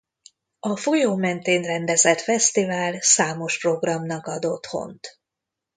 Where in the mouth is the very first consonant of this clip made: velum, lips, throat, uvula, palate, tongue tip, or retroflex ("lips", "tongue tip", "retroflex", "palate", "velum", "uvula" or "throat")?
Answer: lips